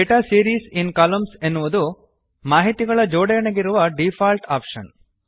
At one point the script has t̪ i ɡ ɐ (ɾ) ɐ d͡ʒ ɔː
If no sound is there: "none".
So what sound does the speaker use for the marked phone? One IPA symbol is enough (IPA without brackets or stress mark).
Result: ɭ